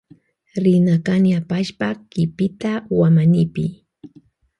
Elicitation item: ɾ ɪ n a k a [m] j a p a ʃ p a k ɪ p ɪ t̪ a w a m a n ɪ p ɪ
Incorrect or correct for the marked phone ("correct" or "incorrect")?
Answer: incorrect